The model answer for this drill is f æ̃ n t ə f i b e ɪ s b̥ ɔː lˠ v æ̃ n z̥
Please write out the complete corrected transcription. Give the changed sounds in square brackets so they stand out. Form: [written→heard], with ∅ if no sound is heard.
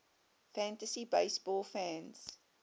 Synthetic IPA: f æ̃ n t ə [f→s] i b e ɪ s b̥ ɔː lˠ [v→f] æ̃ n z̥